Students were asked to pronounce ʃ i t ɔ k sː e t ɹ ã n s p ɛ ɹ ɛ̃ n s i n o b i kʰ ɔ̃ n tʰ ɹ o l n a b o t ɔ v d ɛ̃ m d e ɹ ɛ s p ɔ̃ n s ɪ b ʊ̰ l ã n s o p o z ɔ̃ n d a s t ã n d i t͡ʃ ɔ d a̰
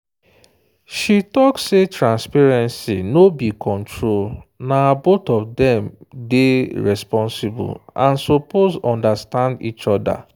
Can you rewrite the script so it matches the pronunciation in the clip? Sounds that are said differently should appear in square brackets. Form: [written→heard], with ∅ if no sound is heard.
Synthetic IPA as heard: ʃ i t ɔ k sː e t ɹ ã n s p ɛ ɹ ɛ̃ n s i n o b i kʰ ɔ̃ n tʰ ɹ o l n a b o t ɔ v d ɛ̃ m d e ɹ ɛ s p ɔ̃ n s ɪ b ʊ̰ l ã n s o p o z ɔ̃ n d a s t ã n d i t͡ʃ ɔ d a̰